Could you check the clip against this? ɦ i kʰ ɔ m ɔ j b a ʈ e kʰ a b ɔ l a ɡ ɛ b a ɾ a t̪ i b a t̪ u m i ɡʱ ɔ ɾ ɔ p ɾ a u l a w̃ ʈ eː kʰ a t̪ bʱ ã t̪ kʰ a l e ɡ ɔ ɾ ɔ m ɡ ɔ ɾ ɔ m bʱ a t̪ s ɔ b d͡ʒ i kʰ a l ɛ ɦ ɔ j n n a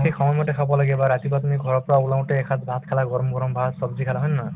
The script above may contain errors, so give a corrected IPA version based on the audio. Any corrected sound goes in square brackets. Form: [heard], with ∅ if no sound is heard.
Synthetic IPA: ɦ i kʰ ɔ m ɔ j [m] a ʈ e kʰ a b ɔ l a ɡ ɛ b a ɾ a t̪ i b a t̪ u m i ɡʱ ɔ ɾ ɔ p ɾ a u l a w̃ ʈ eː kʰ a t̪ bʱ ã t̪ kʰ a l [a] ɡ ɔ ɾ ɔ m ɡ ɔ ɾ ɔ m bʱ a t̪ s ɔ b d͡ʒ i kʰ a l [a] ɦ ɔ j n n a